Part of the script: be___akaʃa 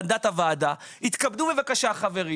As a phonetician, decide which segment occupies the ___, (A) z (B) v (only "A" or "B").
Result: B